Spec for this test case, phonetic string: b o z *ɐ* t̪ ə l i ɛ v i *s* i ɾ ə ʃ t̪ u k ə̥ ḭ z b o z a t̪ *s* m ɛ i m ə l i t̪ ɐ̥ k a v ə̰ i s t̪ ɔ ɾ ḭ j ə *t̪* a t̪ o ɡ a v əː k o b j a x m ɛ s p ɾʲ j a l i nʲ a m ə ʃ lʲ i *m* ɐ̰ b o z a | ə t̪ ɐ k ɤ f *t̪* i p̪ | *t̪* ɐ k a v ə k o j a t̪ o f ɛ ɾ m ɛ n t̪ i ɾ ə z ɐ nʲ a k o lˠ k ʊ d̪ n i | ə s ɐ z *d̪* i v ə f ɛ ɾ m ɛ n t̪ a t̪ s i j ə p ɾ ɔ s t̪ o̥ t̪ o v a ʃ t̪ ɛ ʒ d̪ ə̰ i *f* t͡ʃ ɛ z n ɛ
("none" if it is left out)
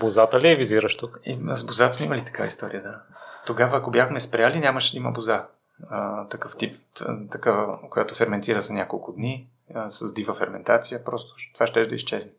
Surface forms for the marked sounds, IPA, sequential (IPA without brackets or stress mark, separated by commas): a, z, s, d̪, m, t̪, t̪, d̪, s